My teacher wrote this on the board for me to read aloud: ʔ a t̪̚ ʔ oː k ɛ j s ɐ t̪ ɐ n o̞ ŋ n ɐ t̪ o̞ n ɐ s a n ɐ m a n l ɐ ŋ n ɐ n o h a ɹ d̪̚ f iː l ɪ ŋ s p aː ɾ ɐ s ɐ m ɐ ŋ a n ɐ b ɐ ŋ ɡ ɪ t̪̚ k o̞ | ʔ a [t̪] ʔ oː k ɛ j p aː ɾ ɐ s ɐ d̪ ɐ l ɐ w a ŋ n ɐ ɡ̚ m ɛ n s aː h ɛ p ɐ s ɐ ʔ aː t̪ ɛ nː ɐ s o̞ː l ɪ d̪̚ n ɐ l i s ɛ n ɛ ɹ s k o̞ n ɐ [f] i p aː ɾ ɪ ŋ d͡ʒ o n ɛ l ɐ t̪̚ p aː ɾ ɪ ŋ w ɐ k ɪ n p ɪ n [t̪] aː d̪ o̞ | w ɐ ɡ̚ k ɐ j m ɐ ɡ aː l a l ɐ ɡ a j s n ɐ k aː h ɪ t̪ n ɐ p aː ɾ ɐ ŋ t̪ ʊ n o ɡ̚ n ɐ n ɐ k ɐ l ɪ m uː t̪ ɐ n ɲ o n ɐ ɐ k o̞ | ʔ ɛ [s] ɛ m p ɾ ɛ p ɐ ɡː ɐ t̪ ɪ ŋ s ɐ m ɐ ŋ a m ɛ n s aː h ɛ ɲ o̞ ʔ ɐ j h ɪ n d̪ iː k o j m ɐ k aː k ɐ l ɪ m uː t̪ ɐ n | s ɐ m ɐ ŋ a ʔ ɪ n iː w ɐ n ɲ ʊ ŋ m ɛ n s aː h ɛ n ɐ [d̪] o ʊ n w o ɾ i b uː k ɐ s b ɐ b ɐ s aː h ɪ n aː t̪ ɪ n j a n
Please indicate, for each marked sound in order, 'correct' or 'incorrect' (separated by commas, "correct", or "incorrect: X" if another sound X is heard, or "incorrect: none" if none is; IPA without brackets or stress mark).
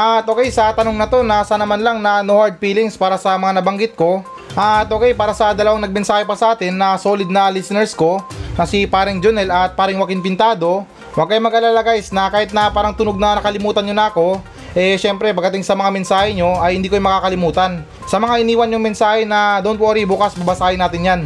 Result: correct, incorrect: s, correct, incorrect: ʃ, correct